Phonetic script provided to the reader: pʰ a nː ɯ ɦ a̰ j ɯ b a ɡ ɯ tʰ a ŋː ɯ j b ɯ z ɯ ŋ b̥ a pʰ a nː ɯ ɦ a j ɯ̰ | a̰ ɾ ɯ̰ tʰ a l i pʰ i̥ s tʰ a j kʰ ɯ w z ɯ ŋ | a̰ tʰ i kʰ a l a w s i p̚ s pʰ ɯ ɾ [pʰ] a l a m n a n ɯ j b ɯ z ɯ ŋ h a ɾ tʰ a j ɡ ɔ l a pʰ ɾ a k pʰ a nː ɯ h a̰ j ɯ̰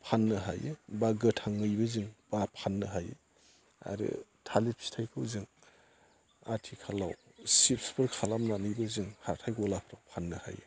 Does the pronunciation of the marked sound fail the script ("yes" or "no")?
yes